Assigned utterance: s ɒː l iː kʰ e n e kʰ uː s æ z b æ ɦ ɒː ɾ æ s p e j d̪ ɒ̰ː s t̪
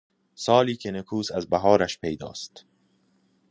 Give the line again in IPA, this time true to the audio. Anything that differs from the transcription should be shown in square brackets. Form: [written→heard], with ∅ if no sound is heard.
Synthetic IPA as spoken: s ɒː l iː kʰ e n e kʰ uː s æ z b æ ɦ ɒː ɾ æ [s→ʃ] p e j d̪ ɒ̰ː s t̪